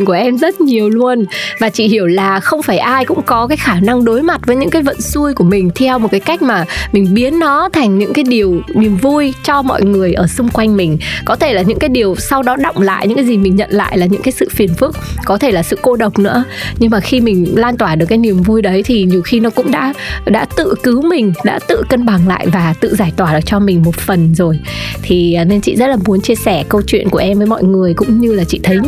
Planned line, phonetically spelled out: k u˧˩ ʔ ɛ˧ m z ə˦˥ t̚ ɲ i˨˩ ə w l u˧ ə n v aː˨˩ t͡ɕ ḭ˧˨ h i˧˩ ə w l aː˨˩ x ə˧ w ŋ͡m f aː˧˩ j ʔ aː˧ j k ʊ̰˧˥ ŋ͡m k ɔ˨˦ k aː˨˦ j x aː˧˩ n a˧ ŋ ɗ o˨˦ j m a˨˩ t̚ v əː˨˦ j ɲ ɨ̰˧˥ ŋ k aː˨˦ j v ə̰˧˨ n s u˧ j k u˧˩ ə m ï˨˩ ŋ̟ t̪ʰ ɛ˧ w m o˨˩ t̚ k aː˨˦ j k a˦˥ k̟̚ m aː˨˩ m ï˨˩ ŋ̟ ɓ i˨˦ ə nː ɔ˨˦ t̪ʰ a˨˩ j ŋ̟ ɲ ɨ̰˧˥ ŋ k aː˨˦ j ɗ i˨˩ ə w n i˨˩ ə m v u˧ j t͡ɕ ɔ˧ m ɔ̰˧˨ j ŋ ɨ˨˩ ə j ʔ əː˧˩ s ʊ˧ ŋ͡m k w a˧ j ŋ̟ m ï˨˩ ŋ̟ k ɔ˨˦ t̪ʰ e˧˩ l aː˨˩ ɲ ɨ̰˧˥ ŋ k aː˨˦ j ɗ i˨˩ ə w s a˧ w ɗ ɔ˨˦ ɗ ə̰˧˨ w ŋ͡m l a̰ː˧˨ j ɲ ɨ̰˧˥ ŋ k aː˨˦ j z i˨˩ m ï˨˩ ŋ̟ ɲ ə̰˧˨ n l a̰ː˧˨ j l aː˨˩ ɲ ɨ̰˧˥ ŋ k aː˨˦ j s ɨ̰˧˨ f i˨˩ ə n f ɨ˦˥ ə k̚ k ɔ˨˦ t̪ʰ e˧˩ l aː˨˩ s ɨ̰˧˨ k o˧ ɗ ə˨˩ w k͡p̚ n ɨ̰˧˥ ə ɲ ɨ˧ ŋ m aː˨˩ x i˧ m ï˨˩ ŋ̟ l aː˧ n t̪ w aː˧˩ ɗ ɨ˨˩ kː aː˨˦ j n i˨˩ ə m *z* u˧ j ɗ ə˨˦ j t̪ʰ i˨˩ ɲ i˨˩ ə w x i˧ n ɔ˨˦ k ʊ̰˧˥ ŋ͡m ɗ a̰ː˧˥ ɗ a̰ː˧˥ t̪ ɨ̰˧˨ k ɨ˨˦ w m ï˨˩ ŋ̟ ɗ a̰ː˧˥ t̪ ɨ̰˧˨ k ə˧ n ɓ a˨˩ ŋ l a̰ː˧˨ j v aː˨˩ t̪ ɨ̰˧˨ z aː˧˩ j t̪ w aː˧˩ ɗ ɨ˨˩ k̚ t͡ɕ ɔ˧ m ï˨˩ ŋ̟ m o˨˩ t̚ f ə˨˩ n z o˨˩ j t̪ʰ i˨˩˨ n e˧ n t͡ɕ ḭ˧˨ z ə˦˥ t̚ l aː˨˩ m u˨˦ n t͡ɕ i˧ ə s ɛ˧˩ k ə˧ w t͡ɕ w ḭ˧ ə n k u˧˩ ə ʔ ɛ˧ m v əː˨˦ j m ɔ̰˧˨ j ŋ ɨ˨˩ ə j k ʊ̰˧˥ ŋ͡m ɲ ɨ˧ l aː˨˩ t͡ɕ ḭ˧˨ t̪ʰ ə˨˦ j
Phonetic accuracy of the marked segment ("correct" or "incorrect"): incorrect